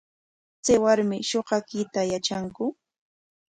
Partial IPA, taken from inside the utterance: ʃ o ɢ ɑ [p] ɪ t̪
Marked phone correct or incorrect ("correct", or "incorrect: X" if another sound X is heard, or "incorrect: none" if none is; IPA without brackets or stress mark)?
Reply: incorrect: k